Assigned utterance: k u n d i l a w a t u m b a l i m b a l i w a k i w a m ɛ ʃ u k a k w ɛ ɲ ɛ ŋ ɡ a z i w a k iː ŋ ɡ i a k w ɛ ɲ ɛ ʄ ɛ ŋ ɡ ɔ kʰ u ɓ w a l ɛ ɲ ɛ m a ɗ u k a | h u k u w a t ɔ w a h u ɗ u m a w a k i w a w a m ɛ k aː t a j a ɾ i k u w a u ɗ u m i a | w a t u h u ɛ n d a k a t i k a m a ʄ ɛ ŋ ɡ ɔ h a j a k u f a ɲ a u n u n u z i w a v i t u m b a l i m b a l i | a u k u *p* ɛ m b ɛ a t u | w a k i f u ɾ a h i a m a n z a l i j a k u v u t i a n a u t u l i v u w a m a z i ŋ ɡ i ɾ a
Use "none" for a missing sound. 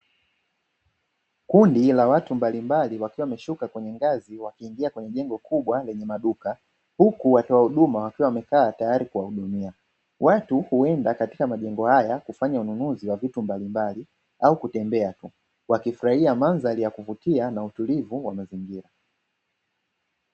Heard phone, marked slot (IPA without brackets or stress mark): t